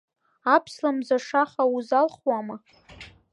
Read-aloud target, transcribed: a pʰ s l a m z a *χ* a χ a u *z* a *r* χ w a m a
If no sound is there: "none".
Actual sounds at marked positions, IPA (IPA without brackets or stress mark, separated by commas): ʂ, z, l